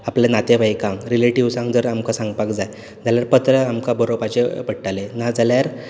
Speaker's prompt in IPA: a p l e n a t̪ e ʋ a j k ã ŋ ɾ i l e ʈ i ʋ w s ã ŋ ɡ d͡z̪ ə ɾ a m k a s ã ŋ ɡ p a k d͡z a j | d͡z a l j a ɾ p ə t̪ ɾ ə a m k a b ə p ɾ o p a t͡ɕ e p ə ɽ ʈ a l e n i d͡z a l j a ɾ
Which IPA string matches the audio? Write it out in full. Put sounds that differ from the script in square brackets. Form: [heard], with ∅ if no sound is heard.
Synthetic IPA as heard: a p l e n a t̪ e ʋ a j k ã ŋ ɾ i l e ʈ i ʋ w s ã ŋ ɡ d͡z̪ ə ɾ a m k a s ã ŋ ɡ p a k d͡z a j | d͡z a l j a ɾ p ə t̪ ɾ ə a m k a b ə [∅] ɾ o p a t͡ɕ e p ə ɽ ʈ a l e n [a] d͡z a l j a ɾ